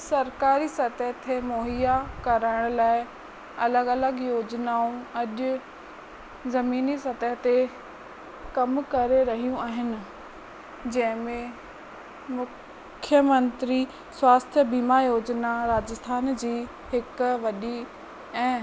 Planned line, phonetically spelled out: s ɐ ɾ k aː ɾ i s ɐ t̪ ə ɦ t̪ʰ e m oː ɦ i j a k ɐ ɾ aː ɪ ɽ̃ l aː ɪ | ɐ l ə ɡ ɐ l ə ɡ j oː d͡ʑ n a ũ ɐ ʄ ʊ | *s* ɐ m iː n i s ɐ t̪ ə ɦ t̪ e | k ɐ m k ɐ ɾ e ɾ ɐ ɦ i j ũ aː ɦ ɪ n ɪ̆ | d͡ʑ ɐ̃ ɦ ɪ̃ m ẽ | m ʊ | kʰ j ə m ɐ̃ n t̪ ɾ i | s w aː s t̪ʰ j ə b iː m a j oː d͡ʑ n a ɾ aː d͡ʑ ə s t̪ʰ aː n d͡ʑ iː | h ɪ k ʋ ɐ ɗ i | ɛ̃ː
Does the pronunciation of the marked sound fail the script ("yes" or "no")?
yes